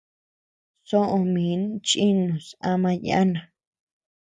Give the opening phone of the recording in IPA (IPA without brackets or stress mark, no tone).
s